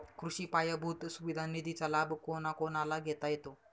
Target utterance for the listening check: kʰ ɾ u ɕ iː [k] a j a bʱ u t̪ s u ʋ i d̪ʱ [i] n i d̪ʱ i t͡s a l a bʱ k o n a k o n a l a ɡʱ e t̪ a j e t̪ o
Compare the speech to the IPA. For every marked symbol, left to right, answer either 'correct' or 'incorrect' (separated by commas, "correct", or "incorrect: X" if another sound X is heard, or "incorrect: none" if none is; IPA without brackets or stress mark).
incorrect: p, incorrect: a